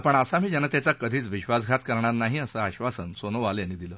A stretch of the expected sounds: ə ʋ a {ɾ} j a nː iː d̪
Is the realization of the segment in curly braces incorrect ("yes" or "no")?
yes